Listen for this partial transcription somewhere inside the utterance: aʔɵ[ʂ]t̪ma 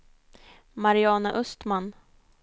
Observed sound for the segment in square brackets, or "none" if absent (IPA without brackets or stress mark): s